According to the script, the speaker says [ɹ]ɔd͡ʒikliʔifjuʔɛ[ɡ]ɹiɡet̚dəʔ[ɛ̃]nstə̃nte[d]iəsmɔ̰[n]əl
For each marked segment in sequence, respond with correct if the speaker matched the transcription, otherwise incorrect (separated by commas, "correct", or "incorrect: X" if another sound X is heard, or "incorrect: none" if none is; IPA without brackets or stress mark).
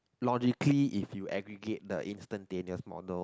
incorrect: l, correct, incorrect: ĩ, incorrect: n, incorrect: d